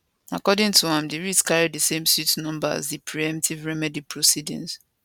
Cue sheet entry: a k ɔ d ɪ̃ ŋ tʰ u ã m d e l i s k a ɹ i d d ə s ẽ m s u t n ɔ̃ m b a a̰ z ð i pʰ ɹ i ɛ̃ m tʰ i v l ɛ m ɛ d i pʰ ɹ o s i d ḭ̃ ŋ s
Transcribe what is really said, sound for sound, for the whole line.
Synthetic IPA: a k ɔ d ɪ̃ ŋ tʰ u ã m d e ɹ i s k a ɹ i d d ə s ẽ m s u t n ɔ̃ m b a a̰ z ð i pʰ ɹ i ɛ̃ m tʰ i v ɹ ɛ m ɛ d i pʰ ɹ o s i d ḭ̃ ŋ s